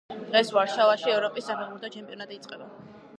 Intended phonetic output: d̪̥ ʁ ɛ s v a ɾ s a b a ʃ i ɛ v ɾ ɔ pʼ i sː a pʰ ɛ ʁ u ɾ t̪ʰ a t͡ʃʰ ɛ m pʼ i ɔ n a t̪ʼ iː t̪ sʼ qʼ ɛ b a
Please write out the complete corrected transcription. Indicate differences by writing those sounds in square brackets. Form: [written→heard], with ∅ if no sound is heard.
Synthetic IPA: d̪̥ ʁ ɛ s v a ɾ [s→ʃ] a [b→v] a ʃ i ɛ v ɾ ɔ pʼ i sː a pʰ ɛ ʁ u ɾ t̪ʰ a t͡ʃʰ ɛ m pʼ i ɔ n a t̪ʼ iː t̪ sʼ qʼ ɛ b a